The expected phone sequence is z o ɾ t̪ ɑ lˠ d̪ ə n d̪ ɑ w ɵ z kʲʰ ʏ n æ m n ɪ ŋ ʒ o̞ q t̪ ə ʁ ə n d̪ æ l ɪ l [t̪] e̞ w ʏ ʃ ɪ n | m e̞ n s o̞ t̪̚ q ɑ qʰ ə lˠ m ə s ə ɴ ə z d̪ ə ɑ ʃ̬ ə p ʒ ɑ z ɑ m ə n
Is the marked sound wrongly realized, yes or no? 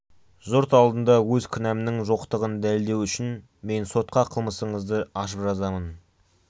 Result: yes